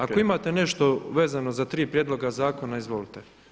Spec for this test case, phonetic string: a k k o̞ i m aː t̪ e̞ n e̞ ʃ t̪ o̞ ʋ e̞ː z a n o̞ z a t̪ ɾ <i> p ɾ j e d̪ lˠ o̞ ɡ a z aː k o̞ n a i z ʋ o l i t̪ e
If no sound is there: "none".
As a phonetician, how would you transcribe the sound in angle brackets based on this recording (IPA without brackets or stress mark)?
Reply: iː